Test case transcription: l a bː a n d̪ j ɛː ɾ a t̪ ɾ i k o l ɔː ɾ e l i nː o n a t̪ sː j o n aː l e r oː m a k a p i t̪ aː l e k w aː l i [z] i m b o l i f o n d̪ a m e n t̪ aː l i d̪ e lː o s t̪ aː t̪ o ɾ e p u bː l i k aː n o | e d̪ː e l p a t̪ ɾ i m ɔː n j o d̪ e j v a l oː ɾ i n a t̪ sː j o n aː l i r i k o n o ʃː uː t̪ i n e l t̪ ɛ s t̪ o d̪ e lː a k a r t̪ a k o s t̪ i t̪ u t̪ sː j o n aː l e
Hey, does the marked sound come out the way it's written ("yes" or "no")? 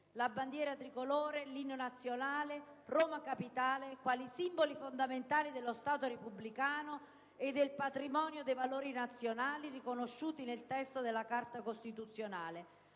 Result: no